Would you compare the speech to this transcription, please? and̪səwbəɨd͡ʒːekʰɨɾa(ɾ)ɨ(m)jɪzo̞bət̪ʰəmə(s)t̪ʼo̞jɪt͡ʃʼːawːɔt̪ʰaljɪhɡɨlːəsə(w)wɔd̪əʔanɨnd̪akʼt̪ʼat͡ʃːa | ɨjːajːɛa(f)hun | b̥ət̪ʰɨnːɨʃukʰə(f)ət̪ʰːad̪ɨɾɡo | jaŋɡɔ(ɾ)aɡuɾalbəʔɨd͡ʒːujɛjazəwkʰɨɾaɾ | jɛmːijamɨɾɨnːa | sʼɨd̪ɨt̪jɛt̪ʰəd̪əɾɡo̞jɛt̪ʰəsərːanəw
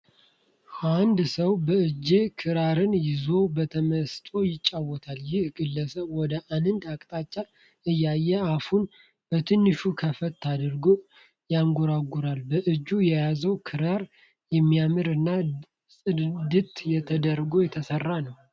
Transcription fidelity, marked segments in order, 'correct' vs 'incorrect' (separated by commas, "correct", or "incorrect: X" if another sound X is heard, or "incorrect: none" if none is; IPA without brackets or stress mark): correct, incorrect: n, correct, incorrect: β, correct, correct, correct